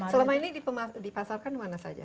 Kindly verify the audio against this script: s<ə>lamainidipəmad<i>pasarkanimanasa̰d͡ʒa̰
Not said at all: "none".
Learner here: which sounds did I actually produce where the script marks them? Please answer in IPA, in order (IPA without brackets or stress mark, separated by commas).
ə, i